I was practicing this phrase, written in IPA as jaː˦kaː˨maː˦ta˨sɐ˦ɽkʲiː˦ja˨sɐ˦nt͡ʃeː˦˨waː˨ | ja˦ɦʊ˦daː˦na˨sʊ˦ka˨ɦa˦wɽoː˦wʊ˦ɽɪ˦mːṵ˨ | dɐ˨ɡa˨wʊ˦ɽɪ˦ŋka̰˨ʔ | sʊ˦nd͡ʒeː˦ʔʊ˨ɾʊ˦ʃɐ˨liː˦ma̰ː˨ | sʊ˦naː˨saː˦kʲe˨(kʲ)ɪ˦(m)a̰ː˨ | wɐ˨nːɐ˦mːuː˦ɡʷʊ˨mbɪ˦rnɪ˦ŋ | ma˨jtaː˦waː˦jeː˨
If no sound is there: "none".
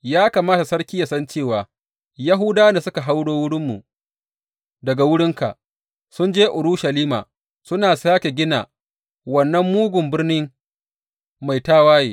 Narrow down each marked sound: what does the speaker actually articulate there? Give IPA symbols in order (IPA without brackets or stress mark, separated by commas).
ɡʲ, n